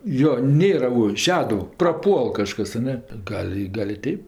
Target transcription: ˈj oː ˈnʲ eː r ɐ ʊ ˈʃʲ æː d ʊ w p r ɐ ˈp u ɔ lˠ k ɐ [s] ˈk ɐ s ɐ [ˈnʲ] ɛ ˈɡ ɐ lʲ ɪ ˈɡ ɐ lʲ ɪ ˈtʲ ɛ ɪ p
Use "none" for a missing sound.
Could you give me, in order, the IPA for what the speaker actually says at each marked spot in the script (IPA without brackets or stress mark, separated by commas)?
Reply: ʃ, nʲ